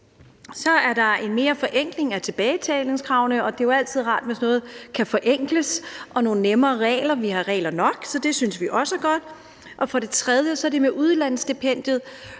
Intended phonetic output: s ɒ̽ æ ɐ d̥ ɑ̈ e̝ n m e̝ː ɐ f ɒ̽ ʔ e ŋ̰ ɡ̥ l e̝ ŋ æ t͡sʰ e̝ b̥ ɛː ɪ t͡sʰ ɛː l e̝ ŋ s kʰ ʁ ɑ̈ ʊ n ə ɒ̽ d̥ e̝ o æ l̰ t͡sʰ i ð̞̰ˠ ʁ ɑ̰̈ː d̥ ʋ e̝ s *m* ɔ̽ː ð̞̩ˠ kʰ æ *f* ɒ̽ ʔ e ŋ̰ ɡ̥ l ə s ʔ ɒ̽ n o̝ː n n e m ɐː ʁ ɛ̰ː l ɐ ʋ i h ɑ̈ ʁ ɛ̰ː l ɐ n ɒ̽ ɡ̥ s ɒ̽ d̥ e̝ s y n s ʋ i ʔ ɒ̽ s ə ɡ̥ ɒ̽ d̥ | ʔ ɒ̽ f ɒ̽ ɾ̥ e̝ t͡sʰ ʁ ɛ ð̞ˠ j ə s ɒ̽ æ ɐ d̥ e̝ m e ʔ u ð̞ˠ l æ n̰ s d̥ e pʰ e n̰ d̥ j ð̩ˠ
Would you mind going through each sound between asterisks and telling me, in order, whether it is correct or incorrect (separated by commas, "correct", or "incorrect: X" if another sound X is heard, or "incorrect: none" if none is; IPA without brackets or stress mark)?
incorrect: n, correct